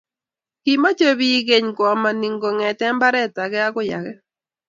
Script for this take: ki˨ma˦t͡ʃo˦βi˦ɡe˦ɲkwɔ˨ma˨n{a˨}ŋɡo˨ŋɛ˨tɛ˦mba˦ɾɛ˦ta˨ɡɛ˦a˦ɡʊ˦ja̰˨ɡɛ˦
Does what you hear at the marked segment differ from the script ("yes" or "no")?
yes